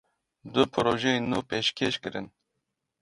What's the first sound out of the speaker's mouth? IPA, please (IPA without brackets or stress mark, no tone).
d̪